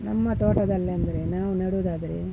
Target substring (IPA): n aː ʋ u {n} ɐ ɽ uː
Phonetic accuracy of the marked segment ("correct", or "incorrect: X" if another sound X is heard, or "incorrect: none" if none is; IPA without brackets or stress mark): correct